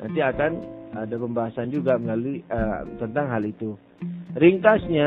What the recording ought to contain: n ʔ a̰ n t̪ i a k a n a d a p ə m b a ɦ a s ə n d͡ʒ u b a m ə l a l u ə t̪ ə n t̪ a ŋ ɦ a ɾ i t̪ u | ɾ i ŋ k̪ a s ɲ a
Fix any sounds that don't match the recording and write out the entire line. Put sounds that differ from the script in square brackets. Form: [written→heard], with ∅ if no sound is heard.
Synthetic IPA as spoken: n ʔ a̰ n t̪ i a k a n a d a p ə m b a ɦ a s [ə→a] n d͡ʒ u [b→ɡ] a m ə l a l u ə t̪ ə n t̪ a ŋ ɦ a [ɾ→l] i t̪ u | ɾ i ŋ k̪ a s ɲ a